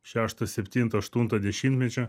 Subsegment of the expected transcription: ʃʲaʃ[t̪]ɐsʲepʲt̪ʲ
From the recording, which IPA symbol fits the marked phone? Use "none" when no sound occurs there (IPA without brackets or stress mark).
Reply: t̪